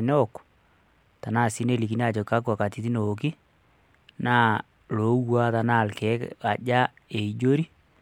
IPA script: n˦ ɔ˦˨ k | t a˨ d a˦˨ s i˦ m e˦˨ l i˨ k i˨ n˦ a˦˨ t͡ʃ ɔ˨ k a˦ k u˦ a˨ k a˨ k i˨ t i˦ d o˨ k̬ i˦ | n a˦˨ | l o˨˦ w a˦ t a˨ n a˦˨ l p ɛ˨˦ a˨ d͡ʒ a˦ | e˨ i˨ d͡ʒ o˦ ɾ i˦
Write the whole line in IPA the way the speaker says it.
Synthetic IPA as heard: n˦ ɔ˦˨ k | t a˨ n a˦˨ s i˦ n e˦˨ l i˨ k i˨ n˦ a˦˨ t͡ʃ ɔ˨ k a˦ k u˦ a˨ k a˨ t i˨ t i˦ n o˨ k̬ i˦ | n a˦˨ | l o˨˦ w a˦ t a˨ n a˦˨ l k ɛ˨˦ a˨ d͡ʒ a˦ | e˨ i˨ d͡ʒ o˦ ɾ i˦